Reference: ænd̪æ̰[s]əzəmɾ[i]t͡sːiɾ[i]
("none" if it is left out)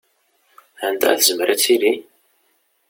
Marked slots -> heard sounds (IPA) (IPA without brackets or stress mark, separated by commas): θ, æ, i